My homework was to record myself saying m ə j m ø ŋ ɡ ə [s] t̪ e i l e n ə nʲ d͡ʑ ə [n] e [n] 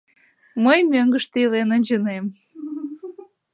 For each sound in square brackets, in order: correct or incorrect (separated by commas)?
incorrect, correct, incorrect